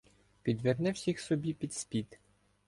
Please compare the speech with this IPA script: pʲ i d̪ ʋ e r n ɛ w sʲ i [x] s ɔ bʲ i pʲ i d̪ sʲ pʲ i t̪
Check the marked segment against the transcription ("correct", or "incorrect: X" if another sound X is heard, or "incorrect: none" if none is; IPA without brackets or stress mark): correct